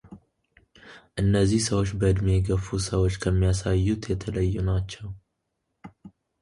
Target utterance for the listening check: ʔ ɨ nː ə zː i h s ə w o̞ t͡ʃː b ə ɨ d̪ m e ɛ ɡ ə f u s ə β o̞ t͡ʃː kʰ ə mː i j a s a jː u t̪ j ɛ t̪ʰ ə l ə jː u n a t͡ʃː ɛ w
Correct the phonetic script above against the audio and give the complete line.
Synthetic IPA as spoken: ʔ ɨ nː ə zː i h s ə w o̞ t͡ʃː b ə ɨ d̪ m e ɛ ɡ ə f u s ə w o̞ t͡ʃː kʰ ə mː i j a s a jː u t̪ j ɛ t̪ʰ ə l ə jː u n a t͡ʃː ɛ w